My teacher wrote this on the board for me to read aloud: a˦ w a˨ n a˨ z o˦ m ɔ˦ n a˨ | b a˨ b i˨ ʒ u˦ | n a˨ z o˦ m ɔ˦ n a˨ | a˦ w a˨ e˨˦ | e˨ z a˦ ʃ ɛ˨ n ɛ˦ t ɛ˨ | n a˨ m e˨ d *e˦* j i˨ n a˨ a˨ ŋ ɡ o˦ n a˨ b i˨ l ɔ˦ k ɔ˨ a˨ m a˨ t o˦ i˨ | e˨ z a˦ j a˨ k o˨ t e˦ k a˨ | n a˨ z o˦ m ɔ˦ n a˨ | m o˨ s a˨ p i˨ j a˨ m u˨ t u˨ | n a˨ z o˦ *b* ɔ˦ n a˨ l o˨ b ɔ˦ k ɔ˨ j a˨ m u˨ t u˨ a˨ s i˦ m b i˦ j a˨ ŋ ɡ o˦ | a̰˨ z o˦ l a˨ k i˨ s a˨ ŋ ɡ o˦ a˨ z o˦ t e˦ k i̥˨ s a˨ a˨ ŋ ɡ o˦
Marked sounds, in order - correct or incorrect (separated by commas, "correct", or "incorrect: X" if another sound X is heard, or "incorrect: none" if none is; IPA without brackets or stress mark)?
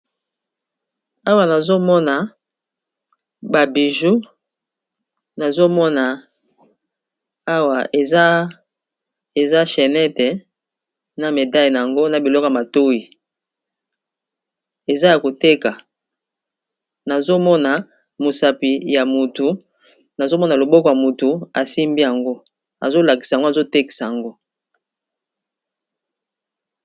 incorrect: a˦, incorrect: m